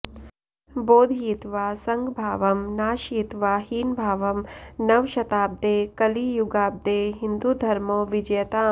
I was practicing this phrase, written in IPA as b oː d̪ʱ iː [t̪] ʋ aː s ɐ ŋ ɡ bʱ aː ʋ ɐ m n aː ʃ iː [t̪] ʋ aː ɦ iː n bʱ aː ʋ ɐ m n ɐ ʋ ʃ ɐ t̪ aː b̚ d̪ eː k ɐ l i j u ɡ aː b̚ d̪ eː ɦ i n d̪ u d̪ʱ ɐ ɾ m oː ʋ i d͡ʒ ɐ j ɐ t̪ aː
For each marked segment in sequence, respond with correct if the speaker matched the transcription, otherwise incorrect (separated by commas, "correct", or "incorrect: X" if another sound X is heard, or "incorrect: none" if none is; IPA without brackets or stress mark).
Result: correct, correct